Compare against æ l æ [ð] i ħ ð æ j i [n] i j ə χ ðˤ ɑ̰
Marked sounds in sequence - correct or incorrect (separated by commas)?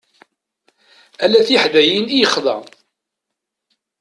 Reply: incorrect, correct